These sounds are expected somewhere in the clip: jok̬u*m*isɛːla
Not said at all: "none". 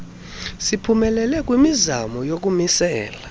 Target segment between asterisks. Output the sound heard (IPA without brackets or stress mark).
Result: m